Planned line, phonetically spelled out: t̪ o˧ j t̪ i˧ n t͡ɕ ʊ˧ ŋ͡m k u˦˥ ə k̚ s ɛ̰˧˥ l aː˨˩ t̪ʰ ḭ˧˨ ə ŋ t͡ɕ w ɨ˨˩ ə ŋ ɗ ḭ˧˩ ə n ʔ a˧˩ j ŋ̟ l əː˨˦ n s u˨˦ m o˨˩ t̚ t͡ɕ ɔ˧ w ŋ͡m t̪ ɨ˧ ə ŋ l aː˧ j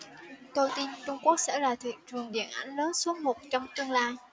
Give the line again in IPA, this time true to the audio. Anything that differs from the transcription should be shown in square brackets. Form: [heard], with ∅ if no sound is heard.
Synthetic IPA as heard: t̪ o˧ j t̪ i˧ n t͡ɕ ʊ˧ ŋ͡m k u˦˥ ə k̚ s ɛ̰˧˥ l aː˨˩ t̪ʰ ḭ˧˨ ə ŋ t͡ɕ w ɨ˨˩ ə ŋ ɗ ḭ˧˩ ə n ʔ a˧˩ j ŋ̟ l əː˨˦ n s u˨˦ m o˨˩ t̚ t͡ɕ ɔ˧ w ŋ͡m t̪ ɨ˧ ə ŋ l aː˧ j